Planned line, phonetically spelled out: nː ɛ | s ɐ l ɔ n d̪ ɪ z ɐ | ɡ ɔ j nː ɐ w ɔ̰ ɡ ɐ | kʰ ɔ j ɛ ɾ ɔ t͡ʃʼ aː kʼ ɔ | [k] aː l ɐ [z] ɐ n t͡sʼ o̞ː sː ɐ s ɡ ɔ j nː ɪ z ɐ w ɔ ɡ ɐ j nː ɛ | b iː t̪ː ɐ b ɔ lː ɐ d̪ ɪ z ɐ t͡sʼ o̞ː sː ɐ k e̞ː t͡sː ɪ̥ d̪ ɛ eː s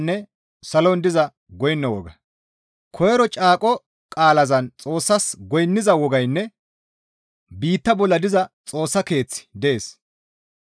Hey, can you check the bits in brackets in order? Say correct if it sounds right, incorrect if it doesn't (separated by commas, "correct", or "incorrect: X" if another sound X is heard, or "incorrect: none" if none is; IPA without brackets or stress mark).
incorrect: kʼ, correct